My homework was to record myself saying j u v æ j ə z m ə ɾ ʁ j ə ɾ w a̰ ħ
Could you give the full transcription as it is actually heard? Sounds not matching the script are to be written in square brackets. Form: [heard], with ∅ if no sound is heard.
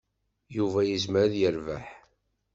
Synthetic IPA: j u v æ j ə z m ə ɾ [ð] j ə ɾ [v] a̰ ħ